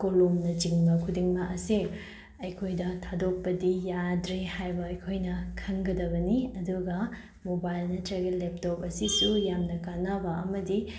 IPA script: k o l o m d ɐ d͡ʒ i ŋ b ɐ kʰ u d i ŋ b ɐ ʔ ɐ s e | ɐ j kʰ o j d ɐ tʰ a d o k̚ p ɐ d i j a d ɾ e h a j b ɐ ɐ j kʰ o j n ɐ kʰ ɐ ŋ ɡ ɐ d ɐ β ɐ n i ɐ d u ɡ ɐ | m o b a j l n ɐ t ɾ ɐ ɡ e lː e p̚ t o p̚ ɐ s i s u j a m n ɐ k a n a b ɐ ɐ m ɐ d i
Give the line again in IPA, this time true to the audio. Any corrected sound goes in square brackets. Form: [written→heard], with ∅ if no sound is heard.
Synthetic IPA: k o l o m [d→n] ɐ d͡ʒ i ŋ b ɐ kʰ u d i ŋ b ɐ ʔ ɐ s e | ɐ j kʰ o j d ɐ tʰ a d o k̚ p ɐ d i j a d ɾ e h a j b ɐ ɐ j kʰ o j n ɐ kʰ ɐ ŋ ɡ ɐ d ɐ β ɐ n i ɐ d u ɡ ɐ | m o b a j l n ɐ t ɾ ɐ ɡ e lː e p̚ t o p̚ ɐ s i s u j a m n ɐ k a n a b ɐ ɐ m ɐ d i